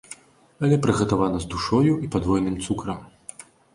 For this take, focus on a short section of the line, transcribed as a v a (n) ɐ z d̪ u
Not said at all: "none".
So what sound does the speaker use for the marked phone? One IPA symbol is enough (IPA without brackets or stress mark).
n